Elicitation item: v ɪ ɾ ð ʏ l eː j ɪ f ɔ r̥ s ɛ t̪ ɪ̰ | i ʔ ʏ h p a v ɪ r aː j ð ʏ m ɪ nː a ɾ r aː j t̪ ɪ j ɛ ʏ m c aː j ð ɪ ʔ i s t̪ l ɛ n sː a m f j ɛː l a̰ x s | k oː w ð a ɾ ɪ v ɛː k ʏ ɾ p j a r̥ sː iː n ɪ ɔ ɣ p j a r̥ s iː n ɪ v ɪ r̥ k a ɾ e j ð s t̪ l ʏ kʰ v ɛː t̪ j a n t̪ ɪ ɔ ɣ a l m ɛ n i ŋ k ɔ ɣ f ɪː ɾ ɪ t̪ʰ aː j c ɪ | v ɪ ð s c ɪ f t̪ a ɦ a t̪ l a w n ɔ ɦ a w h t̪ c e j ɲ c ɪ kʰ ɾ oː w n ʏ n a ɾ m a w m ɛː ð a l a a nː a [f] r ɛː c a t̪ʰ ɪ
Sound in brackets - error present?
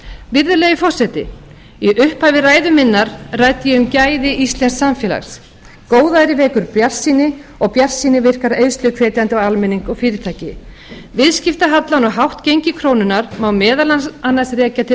yes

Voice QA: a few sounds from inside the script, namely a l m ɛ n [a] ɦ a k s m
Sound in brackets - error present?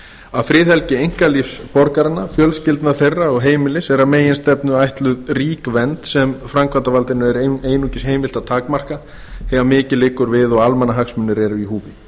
no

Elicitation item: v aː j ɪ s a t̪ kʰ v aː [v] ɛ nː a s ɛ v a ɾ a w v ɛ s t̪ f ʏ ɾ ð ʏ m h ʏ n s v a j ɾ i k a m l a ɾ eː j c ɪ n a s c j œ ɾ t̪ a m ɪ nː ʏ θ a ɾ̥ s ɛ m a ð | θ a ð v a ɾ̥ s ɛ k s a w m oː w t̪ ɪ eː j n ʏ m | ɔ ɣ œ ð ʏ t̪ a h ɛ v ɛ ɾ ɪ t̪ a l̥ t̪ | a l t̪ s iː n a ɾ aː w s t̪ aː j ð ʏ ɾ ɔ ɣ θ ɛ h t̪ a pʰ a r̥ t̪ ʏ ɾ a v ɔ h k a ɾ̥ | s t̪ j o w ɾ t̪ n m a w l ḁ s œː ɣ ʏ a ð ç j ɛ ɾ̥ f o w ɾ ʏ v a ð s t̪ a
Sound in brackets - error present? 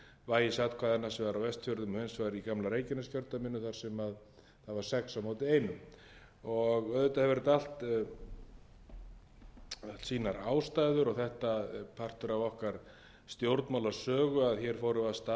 yes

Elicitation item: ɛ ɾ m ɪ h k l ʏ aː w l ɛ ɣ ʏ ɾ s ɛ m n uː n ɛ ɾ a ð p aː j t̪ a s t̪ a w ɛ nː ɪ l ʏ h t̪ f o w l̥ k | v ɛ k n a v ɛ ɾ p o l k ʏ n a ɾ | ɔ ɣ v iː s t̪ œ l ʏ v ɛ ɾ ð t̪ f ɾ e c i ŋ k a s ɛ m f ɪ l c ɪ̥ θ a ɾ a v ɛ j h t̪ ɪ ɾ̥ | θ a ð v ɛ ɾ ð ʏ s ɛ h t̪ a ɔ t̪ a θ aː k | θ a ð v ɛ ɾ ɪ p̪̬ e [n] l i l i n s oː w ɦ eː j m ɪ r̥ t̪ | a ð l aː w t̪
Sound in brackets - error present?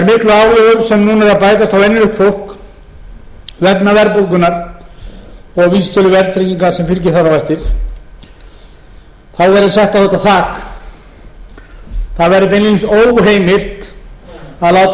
no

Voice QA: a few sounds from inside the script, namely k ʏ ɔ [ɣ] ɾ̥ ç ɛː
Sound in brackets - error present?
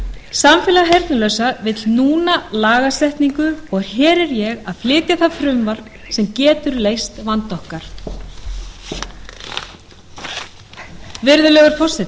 no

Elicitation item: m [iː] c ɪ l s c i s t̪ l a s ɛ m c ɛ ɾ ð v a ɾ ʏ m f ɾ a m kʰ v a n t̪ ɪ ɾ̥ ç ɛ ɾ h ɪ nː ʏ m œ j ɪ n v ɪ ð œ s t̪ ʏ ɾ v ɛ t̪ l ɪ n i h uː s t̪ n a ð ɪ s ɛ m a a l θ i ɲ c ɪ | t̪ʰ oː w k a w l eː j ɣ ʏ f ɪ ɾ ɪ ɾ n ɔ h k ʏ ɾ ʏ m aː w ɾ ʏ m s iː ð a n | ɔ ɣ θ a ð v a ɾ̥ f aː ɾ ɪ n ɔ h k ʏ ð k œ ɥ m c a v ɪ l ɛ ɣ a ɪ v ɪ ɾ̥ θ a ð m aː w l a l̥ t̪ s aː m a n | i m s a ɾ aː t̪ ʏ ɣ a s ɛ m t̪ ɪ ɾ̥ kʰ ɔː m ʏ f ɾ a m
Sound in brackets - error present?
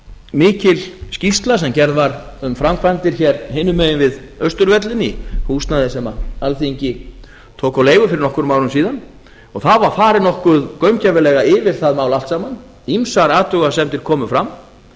yes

